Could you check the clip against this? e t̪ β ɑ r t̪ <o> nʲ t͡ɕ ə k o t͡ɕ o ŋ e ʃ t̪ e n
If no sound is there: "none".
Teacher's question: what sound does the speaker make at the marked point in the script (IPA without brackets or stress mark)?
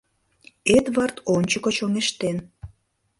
o